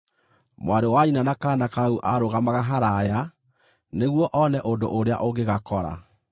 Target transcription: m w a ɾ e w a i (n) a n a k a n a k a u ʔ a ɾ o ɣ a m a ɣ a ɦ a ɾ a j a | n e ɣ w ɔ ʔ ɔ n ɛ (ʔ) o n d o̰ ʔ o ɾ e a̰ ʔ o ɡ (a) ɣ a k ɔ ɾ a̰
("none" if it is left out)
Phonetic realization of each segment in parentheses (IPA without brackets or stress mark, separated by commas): n, ʔ, e